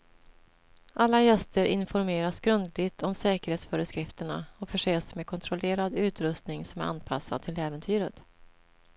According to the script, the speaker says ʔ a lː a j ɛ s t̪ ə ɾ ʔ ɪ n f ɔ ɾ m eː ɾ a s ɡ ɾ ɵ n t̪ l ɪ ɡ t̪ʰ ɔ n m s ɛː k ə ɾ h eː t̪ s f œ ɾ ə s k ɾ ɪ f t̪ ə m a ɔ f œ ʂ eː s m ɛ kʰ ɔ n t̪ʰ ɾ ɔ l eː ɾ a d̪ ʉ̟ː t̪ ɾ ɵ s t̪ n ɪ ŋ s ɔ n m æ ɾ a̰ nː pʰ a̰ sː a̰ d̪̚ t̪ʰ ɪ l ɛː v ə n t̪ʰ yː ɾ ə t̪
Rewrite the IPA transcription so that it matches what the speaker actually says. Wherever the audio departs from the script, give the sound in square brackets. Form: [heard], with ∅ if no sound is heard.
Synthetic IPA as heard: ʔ a lː a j ɛ s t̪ ə ɾ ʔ ɪ n f ɔ ɾ m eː ɾ a s ɡ ɾ ɵ n [d̪] l ɪ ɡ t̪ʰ ɔ [∅] m s ɛː k ə ɾ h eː t̪ s f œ ɾ ə s k ɾ ɪ f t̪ ə [ɳ] a ɔ f œ ʂ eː s m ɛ kʰ ɔ n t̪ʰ ɾ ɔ l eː ɾ a d̪ ʉ̟ː t̪ ɾ ɵ s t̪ n ɪ ŋ s ɔ [∅] m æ ɾ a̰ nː pʰ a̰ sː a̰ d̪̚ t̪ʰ ɪ l ɛː v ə n t̪ʰ yː ɾ ə t̪